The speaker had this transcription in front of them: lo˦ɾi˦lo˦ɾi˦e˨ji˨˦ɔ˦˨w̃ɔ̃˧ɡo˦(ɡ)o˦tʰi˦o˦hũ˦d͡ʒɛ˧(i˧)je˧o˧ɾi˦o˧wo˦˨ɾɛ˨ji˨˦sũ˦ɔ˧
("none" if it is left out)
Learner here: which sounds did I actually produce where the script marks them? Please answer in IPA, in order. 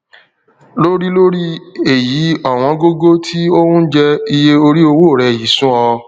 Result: ɡ, i˧

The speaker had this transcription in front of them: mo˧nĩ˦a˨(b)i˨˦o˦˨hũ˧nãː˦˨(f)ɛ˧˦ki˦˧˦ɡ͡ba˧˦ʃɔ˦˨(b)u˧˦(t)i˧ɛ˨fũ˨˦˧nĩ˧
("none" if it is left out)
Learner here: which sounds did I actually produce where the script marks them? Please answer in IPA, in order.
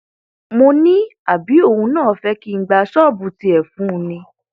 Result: b, f, b, t

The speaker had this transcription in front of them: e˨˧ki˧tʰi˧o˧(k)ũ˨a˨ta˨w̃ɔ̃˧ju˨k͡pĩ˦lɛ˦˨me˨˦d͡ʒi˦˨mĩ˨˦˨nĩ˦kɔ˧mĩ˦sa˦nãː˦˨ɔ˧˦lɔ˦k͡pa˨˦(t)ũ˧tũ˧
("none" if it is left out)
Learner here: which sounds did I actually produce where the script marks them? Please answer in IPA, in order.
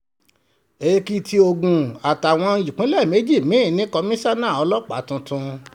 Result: ɡ, t

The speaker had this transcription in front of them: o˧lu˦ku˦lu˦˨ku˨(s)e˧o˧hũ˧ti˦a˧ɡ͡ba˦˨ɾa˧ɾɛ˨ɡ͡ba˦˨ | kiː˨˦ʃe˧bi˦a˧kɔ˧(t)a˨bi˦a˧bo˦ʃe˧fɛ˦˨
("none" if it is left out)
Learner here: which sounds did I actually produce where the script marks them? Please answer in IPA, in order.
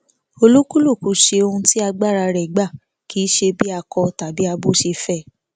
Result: ʃ, t

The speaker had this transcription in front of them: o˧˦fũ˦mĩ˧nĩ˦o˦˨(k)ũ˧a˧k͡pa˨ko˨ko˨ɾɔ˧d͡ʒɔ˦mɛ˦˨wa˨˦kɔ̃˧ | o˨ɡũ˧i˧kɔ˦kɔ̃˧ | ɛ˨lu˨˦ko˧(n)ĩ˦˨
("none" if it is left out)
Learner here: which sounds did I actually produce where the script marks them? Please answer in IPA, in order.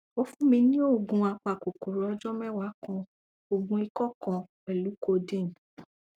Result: ɡ, d

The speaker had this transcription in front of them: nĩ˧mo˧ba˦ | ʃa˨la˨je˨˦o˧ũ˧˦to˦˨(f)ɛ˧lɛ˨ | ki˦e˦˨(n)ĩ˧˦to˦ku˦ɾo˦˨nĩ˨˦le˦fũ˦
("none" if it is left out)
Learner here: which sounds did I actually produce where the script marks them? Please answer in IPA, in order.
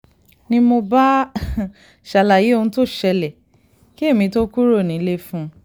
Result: ʃ, m

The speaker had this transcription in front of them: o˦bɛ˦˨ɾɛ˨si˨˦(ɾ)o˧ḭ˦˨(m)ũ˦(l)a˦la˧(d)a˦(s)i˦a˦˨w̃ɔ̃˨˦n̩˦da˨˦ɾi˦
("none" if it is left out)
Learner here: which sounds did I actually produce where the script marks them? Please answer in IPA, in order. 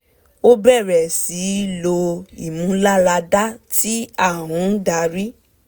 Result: l, m, l, d, t

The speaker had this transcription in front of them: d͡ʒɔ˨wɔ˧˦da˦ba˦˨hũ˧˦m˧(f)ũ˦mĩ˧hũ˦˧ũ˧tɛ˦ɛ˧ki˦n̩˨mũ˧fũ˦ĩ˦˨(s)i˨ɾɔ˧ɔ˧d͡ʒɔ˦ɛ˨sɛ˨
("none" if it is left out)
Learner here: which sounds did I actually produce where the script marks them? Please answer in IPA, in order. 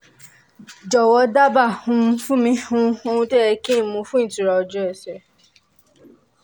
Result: f, t

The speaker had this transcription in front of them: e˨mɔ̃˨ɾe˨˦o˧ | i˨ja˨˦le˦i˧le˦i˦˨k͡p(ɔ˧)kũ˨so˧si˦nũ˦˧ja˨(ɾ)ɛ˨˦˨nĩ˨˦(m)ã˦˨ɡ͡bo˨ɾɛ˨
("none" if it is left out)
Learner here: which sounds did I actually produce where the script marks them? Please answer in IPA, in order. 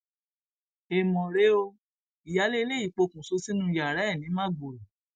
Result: o˧, ɾ, m

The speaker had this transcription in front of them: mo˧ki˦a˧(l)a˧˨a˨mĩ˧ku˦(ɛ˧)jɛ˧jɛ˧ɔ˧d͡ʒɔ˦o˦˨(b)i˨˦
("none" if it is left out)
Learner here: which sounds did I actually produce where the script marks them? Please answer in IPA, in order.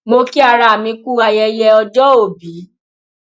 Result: ɾ, a˧, b

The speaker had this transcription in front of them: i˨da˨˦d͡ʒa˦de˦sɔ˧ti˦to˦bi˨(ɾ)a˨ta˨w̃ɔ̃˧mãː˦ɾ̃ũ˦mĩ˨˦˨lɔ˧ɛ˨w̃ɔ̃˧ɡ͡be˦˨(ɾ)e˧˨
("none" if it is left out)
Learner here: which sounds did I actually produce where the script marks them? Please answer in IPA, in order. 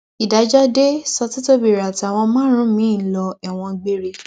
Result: ɾ, ɾ

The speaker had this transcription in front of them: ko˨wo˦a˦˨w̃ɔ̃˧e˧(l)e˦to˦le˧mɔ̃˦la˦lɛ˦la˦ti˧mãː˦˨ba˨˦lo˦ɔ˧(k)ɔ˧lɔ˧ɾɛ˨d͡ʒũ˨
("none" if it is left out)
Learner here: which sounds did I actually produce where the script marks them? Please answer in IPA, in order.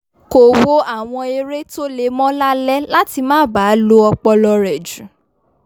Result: ɾ, k͡p

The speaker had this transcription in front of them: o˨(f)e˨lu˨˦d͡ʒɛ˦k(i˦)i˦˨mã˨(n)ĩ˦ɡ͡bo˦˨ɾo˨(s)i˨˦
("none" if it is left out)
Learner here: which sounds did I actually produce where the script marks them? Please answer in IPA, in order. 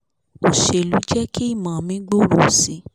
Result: ʃ, i˦, m, s

